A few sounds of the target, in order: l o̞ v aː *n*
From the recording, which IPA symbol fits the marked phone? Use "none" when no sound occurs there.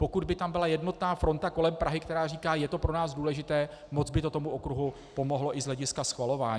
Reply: ɲ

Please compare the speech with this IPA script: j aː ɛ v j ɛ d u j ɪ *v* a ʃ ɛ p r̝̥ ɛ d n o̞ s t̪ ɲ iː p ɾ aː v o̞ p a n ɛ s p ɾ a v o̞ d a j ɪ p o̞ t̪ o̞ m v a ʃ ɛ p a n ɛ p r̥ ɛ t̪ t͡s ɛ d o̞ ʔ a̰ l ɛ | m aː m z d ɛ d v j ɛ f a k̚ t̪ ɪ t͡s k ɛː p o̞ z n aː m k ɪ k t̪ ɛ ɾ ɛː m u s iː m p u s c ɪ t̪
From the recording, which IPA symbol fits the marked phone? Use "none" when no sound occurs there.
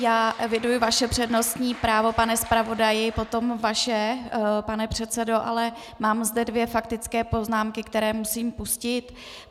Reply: v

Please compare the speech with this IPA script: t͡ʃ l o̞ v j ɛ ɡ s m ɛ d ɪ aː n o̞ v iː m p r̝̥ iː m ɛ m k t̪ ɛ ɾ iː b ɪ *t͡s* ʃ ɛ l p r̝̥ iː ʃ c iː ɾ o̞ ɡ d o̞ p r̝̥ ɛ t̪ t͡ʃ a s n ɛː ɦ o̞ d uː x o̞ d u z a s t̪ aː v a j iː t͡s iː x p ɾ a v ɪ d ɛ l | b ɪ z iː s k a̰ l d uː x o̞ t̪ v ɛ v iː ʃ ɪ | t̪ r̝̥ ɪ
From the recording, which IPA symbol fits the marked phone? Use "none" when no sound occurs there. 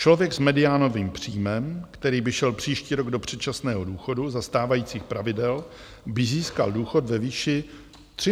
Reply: none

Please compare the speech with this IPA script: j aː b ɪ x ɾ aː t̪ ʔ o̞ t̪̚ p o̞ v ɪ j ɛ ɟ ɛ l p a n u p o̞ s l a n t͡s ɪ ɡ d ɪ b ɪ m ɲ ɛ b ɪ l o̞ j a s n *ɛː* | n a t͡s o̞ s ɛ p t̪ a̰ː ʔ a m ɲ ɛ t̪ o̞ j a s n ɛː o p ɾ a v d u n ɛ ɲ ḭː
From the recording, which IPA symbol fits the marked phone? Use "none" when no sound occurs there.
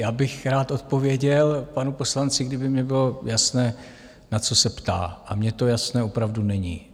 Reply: ɛː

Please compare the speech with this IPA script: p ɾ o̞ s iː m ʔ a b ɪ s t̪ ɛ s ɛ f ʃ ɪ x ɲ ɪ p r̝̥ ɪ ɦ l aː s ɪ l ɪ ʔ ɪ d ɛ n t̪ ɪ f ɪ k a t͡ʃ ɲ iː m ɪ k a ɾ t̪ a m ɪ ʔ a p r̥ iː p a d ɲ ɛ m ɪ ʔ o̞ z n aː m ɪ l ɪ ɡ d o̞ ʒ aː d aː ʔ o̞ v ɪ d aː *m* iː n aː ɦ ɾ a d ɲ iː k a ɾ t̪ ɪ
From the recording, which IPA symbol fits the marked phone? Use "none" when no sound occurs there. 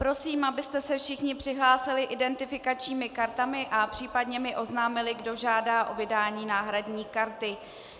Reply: ɲ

